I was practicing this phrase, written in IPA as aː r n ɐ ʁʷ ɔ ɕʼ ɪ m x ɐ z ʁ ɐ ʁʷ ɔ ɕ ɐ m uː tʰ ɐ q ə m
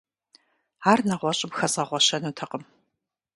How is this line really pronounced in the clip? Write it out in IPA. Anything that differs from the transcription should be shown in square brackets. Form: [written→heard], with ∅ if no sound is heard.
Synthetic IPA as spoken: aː r n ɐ ʁʷ ɔ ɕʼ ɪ m x ɐ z ʁ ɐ ʁʷ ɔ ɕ ɐ [m→n] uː tʰ ɐ q ə m